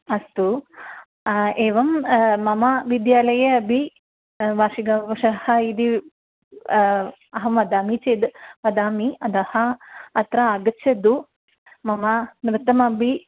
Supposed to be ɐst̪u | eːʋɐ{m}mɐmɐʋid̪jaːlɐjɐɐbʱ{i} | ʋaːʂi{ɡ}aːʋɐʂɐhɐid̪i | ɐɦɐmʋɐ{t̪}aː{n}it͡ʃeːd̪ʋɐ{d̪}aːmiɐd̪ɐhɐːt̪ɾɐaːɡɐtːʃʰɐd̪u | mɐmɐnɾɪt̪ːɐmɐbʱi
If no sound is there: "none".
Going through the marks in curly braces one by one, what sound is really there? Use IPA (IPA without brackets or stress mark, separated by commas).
m, i, ɡ, d̪, m, d̪